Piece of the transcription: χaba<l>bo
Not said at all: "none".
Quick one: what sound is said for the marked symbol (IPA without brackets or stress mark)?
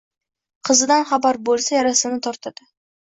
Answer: ɾ